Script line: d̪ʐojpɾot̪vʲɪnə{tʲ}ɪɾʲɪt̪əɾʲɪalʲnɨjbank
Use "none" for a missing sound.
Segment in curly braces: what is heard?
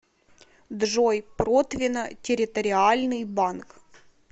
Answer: tʲ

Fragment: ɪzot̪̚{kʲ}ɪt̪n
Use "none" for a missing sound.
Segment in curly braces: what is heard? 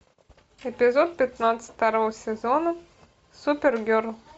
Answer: pʲ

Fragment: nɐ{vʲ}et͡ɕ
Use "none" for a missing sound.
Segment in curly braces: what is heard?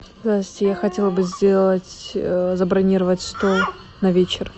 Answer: vʲ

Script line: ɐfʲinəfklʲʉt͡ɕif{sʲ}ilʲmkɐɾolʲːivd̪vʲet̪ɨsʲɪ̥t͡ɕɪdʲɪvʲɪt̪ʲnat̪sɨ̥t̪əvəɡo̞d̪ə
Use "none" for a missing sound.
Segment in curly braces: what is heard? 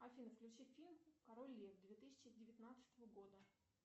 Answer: fʲ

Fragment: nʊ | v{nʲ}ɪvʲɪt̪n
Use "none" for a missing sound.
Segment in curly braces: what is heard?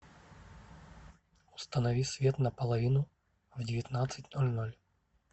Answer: dʲ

